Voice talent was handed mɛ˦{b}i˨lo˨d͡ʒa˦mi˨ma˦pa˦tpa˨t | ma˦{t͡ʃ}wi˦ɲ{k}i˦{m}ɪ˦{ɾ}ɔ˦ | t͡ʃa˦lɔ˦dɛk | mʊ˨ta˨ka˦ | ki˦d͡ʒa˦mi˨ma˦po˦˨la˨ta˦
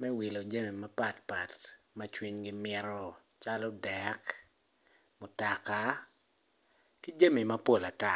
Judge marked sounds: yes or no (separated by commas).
no, yes, no, yes, yes